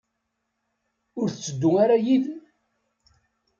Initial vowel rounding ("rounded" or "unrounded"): rounded